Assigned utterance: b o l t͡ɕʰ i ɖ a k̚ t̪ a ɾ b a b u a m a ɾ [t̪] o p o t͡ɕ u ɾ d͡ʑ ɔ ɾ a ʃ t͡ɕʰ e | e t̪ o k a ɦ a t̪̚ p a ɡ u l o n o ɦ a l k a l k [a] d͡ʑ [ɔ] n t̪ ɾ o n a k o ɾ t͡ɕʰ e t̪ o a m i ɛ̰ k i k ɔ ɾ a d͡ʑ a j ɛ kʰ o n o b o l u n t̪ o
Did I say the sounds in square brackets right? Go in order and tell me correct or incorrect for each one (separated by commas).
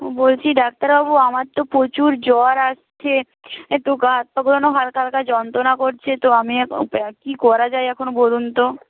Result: correct, correct, correct